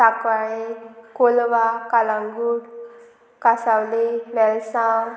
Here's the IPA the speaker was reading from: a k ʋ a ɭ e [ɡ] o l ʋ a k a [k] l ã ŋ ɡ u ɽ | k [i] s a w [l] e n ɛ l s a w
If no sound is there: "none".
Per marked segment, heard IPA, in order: k, none, a, l

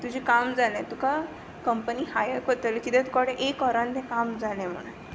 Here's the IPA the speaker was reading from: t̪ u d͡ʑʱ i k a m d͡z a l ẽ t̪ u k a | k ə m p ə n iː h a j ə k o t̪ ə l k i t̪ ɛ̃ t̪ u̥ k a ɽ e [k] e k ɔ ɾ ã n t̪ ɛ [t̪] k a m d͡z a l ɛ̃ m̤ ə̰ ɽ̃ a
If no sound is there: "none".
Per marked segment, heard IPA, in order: ʔ, none

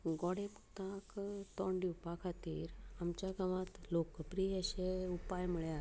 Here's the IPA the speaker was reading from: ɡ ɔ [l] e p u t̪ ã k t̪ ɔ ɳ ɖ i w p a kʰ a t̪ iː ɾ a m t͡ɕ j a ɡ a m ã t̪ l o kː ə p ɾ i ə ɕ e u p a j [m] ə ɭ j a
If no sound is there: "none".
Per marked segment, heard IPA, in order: ɽ, m

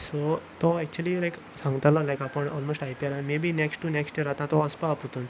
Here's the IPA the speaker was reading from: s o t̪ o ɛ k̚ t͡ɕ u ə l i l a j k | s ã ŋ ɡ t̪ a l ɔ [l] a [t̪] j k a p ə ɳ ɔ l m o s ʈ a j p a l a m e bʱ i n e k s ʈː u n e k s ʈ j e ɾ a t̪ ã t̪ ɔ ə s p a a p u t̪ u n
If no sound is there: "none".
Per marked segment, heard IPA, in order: l, none

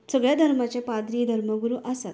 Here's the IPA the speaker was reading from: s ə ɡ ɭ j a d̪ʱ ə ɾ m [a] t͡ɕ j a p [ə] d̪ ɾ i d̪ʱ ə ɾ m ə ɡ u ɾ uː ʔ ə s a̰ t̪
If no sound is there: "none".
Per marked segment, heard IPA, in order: a, a

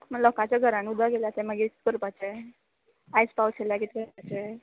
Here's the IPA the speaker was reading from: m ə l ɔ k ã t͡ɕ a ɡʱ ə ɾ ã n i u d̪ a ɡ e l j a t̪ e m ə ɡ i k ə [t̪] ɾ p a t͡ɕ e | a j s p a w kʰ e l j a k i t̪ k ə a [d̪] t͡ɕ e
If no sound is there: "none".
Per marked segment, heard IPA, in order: none, none

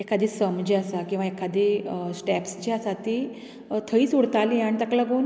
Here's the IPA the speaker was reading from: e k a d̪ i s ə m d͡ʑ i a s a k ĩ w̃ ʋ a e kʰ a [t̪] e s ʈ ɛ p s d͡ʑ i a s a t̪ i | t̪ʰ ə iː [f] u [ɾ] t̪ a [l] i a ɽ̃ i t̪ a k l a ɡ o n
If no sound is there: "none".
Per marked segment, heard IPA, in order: d̪, s, ɽ, l

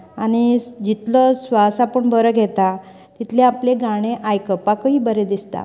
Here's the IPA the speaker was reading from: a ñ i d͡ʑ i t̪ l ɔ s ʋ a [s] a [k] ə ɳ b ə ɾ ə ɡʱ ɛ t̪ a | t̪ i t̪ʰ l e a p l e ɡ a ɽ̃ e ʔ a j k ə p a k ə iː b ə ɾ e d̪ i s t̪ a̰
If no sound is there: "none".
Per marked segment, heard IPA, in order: s, p

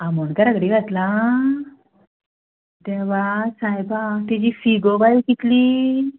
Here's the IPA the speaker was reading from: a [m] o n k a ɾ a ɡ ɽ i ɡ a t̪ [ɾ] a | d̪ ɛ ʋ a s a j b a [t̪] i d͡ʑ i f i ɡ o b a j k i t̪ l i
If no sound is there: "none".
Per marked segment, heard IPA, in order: m, l, t̪

